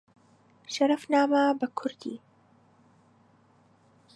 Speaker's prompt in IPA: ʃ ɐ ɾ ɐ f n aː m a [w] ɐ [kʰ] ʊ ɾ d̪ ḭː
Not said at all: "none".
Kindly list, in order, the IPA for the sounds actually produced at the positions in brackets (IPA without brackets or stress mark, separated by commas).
b, kʰ